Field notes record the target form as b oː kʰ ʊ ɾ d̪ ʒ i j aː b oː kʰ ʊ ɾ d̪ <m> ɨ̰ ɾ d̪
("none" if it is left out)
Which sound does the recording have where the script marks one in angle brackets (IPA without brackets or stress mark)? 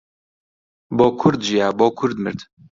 m